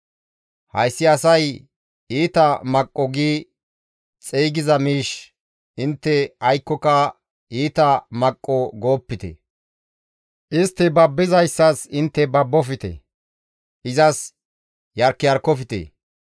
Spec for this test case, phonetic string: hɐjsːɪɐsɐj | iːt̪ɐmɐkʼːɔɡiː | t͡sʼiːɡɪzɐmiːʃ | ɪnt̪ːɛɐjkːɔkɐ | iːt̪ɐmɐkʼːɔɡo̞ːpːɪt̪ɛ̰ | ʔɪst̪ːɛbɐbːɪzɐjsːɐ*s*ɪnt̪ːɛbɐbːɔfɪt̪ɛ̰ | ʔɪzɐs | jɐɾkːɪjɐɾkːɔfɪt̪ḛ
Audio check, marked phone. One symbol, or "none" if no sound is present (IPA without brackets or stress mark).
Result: s